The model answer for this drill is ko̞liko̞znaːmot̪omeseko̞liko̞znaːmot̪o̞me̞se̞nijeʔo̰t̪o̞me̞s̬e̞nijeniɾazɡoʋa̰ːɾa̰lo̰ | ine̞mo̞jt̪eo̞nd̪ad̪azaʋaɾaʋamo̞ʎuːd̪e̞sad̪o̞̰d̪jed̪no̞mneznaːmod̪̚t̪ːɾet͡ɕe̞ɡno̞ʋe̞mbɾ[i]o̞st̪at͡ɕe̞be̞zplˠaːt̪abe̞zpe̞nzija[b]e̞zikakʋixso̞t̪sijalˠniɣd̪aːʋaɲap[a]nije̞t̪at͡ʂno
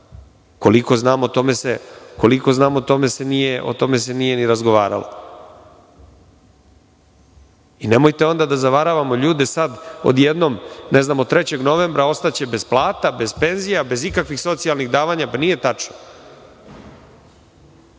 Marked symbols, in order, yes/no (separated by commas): no, yes, yes